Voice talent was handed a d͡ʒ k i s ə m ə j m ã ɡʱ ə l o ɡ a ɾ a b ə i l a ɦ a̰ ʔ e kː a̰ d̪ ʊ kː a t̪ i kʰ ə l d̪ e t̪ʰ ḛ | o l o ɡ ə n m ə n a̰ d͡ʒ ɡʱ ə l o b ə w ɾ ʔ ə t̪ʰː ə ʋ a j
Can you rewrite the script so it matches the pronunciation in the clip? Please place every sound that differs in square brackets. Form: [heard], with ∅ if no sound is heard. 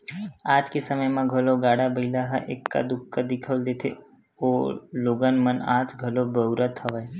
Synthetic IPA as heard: a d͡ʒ k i s ə m ə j m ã ɡʱ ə l o ɡ a [ɽ] a b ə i l a ɦ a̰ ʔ e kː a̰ d̪ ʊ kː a [d̪] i kʰ ə l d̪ e t̪ʰ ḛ | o l o ɡ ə n m ə n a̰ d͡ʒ ɡʱ ə l o b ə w ɾ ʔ ə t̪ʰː ə ʋ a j